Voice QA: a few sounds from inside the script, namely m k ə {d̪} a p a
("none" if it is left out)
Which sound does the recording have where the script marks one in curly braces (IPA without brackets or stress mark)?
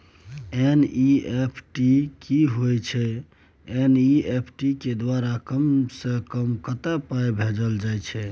t̪